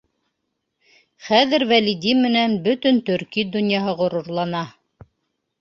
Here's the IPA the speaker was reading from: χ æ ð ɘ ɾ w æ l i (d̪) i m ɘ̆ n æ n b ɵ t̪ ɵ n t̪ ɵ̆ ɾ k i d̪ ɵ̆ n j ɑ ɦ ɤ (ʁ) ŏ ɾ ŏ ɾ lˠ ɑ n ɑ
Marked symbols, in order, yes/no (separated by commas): yes, yes